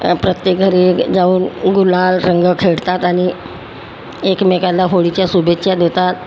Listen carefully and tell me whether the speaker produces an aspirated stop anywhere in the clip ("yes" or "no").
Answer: yes